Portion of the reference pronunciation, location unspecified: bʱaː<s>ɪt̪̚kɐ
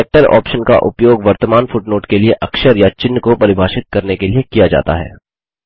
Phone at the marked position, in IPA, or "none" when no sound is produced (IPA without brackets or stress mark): ʃ